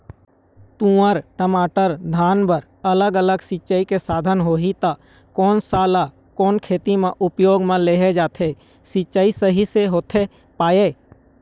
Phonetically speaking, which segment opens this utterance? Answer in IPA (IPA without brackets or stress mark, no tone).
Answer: t̪